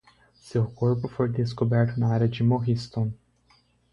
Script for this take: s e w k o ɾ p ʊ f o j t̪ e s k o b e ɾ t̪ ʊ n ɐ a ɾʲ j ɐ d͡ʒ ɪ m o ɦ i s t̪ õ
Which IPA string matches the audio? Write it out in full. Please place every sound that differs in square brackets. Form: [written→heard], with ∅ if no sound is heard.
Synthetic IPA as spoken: s e w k o ɾ p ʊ f o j [t̪→d̪] e s k o b [e→ɛ] ɾ t̪ ʊ n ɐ a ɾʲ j ɐ d͡ʒ ɪ m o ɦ i s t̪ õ